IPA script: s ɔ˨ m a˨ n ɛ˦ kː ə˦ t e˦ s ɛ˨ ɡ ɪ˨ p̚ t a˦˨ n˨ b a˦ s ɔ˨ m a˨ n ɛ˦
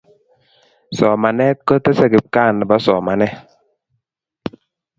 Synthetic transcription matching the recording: s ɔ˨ m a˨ n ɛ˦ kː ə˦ t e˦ s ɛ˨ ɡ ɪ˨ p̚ k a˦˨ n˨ b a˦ s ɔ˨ m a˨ n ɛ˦